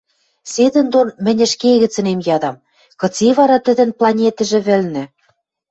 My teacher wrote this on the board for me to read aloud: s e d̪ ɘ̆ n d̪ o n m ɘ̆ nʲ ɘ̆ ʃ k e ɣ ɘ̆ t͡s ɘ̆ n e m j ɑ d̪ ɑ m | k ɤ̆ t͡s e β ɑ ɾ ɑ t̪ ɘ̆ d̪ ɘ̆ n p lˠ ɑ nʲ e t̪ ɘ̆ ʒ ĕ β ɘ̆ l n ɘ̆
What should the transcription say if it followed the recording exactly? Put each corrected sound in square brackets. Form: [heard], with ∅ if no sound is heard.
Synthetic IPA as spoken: s e d̪ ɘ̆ n d̪ o n m ɘ̆ nʲ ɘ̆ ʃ k e ɣ ɘ̆ t͡s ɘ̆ n e m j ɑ d̪ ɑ m | k ɤ̆ t͡s e β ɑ ɾ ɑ t̪ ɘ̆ d̪ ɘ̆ n p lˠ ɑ nʲ e t̪ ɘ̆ ʒ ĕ β ɘ̆ l n ɘ̆